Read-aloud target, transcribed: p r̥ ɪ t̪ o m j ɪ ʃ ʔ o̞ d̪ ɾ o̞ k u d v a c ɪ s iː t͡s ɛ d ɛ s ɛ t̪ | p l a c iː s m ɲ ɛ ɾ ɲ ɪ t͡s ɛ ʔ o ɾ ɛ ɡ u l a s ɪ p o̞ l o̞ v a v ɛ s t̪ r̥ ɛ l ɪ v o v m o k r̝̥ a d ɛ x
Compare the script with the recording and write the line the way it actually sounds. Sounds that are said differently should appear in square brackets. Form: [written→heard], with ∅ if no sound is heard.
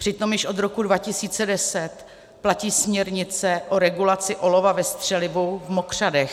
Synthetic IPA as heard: p r̥ ɪ t̪ o m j ɪ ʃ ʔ o̞ d̪ ɾ o̞ k u d v a c ɪ s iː t͡s ɛ d ɛ s ɛ t̪ | p l a c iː s m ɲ ɛ ɾ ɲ ɪ t͡s ɛ ʔ o ɾ ɛ ɡ u l a [s→t͡s] ɪ [p→ʔ] o̞ l o̞ v a v ɛ s t̪ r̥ ɛ l ɪ v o v m o k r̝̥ a d ɛ x